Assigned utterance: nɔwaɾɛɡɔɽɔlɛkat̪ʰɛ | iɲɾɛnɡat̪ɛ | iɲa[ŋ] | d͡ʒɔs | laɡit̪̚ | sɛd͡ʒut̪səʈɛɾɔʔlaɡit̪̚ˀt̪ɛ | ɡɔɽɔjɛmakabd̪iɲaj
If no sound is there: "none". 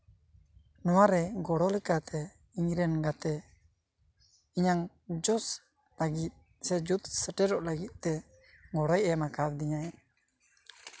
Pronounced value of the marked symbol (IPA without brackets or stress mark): ŋ